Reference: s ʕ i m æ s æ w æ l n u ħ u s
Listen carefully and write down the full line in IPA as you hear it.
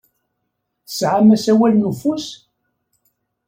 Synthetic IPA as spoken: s ʕ a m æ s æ w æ l n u f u s